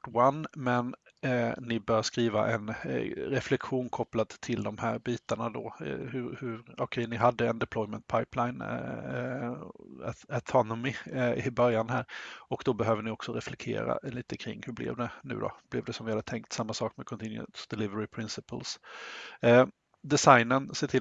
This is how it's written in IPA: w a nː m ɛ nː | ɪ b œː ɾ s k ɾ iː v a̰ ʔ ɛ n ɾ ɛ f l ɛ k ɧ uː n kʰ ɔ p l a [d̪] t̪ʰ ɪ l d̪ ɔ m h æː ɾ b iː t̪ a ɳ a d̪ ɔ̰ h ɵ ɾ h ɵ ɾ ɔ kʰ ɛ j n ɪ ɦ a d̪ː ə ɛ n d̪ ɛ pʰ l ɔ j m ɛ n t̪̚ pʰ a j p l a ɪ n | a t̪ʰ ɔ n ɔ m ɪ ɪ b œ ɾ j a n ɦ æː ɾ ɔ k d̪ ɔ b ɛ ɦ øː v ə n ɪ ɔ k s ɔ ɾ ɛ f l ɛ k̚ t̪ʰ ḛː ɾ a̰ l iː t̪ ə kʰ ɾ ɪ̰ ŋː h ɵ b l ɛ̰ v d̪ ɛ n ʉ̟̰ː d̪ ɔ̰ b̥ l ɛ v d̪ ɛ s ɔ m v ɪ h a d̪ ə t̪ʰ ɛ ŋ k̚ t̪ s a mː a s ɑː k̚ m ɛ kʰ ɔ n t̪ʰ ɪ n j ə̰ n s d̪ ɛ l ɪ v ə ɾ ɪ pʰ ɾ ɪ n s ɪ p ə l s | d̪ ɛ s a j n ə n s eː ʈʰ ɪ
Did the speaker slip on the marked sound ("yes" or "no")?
no